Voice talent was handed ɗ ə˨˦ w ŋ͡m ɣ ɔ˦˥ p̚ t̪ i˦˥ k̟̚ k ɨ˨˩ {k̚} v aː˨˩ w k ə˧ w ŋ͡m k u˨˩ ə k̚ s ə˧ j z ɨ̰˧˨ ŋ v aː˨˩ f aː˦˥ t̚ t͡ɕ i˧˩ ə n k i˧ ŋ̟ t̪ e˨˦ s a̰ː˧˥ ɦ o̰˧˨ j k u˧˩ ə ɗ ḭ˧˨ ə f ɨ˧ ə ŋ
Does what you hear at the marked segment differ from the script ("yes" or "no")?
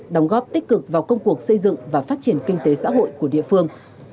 no